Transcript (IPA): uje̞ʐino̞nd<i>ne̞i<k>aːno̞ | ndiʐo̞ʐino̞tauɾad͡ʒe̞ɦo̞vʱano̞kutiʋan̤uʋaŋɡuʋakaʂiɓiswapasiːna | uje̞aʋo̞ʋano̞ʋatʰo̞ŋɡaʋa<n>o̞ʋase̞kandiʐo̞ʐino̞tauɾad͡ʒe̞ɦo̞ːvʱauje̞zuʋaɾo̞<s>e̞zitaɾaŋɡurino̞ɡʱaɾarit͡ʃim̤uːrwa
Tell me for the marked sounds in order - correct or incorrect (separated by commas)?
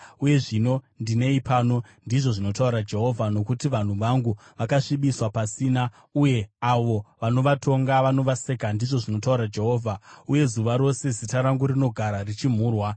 correct, incorrect, correct, correct